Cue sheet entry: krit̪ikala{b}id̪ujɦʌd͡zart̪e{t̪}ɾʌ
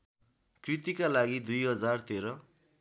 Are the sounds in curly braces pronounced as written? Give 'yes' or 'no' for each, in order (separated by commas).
no, no